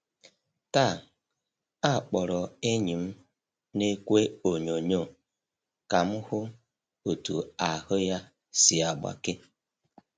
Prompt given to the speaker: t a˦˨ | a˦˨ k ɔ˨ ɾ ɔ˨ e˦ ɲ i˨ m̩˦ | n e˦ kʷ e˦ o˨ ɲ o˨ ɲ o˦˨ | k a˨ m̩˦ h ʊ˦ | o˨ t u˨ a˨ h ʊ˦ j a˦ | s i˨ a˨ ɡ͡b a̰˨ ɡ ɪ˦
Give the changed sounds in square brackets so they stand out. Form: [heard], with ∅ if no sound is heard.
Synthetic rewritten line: t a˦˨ | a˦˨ [k͡p] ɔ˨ ɾ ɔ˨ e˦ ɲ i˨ m̩˦ | n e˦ kʷ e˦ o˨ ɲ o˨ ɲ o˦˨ | k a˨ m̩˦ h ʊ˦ | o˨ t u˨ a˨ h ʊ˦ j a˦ | s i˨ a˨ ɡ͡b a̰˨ [k] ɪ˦